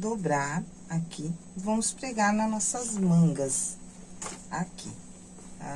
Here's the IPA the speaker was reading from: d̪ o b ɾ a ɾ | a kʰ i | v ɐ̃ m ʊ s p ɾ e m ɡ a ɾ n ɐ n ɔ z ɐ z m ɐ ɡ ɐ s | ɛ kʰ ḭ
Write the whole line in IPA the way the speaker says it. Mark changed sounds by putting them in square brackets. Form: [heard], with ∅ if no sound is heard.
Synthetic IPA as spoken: d̪ o b ɾ a ɾ | a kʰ i | v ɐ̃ m ʊ s p ɾ e [∅] ɡ a ɾ n ɐ n ɔ [s] ɐ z m [ɐ̃] ɡ ɐ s | [a] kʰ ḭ